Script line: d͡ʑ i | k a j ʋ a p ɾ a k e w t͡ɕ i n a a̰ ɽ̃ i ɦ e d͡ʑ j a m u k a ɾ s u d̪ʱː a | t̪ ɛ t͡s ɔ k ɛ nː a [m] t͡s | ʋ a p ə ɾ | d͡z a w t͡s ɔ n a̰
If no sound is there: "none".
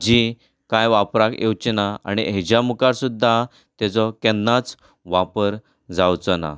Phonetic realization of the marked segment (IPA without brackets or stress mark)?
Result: none